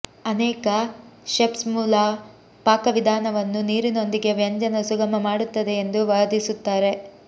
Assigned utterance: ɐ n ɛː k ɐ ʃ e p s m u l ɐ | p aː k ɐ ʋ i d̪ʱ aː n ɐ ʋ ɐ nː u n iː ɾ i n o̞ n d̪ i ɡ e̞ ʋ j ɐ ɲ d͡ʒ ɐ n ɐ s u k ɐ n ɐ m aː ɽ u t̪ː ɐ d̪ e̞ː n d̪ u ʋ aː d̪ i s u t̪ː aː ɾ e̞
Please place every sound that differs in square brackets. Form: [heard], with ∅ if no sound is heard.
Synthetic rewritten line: ɐ n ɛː k ɐ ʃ e p s m [uː] l ɐ | p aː k ɐ ʋ i d̪ʱ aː n ɐ ʋ ɐ nː u n iː ɾ i n o̞ n d̪ i ɡ e̞ ʋ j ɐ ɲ d͡ʒ ɐ n ɐ s u [ɡ] ɐ [m] ɐ m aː ɽ u t̪ː ɐ d̪ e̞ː n d̪ u ʋ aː d̪ i s u t̪ː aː ɾ e̞